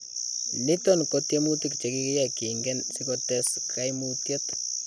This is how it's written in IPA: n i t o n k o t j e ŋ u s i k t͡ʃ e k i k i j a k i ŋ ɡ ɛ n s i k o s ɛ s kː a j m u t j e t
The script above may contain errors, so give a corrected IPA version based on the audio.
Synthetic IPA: n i t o n k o t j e m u t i k t͡ʃ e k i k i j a k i ŋ ɡ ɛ n s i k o t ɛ s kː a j m u t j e t